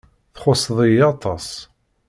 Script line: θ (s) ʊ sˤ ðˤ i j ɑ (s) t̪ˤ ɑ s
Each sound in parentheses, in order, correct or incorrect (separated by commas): incorrect, incorrect